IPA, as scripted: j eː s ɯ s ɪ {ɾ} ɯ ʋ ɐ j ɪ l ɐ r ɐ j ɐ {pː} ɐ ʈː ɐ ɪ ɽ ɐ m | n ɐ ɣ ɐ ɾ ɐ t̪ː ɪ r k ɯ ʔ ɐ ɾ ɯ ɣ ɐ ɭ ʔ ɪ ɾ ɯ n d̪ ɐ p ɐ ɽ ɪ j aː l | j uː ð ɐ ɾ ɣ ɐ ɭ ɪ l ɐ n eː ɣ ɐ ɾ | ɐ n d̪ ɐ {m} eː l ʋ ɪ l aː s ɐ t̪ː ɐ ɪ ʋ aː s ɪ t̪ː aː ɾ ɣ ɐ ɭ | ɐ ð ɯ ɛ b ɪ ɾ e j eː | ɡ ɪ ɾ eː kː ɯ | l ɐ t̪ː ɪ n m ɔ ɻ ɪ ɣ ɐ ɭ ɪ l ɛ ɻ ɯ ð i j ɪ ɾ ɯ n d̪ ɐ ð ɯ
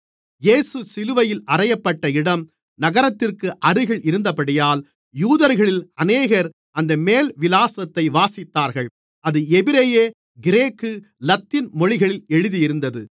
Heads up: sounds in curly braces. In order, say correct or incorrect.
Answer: incorrect, correct, correct

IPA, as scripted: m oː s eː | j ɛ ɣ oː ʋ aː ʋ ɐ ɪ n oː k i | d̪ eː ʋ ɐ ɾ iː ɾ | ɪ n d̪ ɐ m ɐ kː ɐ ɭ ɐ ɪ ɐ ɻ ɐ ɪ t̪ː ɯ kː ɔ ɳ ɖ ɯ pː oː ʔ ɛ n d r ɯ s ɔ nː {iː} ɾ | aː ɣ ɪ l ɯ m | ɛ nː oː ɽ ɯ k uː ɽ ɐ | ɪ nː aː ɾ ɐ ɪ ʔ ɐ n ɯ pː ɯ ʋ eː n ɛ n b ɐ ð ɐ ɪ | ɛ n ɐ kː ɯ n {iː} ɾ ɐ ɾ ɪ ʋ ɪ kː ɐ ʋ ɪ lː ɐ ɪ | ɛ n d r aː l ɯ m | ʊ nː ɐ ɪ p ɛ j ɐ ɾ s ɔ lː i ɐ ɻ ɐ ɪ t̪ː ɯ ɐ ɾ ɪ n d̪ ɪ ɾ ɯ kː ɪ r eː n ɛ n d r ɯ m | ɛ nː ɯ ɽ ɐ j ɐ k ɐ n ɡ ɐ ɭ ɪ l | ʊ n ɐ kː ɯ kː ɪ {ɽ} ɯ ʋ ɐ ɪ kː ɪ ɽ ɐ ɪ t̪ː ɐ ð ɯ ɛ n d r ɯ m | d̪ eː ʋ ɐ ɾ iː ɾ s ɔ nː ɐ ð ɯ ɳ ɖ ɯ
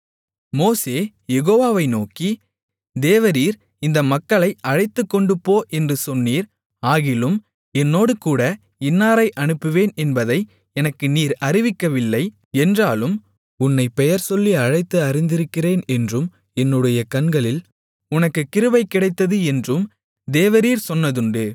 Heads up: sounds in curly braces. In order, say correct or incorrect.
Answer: correct, correct, incorrect

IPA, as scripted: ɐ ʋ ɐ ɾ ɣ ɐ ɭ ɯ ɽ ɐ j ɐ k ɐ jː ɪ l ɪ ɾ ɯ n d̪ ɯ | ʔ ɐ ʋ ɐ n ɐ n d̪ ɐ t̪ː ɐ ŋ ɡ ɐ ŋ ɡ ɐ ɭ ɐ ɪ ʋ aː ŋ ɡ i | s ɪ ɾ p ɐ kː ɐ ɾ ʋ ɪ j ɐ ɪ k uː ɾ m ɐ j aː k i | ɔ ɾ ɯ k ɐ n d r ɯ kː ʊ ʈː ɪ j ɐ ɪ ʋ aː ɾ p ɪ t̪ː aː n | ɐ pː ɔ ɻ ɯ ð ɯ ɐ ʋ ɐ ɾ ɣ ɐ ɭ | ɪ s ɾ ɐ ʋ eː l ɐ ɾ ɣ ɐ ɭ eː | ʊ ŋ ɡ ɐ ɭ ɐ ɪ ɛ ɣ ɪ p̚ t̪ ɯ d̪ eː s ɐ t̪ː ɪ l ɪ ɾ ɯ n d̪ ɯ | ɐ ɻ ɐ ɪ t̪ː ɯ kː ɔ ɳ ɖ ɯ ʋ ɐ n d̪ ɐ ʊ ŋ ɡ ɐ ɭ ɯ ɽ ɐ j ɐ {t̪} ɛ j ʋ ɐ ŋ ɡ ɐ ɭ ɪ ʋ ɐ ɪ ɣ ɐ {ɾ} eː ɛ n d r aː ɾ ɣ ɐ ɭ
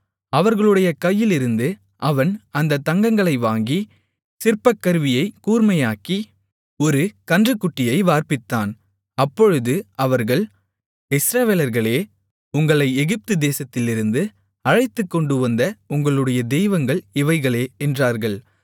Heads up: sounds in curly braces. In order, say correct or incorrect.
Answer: incorrect, incorrect

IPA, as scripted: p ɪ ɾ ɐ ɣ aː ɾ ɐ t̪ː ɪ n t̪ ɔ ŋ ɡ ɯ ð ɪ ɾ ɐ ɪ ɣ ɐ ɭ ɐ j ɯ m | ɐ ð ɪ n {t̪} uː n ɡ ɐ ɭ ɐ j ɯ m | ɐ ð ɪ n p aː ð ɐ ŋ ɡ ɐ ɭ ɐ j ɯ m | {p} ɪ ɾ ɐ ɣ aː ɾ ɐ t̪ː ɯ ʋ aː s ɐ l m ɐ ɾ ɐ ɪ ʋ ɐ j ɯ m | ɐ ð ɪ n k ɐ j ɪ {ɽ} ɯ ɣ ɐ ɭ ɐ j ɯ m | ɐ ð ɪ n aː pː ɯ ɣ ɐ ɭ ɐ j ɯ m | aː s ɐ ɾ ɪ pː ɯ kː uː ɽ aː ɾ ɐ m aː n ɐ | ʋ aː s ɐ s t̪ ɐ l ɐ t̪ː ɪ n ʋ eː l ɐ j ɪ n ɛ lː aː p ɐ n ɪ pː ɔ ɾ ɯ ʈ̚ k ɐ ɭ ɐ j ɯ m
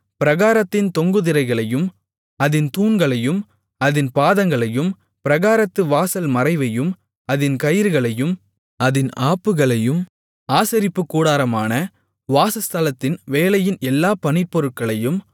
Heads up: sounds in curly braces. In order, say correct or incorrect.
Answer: correct, correct, incorrect

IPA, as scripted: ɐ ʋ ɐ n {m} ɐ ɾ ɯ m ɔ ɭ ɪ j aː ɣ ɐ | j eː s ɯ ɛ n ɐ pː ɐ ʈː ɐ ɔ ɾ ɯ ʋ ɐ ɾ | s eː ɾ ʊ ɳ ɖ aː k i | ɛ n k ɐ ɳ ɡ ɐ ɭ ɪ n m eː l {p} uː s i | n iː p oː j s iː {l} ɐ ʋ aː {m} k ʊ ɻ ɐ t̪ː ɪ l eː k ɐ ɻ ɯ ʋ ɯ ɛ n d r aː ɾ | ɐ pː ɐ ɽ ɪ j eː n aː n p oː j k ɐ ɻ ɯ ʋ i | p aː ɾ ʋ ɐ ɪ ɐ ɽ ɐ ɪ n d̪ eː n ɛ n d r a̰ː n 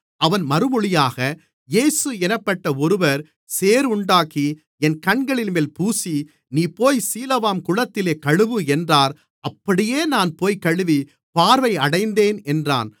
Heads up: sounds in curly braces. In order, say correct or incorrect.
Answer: correct, correct, correct, correct

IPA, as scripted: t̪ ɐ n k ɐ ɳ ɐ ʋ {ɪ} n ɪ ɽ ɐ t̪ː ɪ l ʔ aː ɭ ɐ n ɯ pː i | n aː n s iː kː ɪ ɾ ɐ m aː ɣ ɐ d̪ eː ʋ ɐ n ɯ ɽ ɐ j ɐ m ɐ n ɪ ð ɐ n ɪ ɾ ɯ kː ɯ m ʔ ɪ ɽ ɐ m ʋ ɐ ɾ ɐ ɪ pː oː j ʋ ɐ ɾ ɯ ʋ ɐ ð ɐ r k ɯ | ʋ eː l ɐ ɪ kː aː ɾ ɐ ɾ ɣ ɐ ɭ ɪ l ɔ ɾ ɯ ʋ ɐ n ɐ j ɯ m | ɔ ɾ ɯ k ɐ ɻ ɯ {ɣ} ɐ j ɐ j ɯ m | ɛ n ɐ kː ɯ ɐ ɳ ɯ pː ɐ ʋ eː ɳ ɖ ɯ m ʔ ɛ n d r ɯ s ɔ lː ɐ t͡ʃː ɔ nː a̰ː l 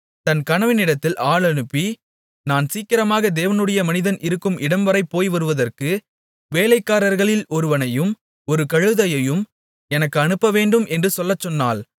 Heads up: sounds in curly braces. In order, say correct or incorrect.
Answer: correct, incorrect

